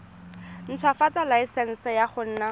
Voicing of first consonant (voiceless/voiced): voiced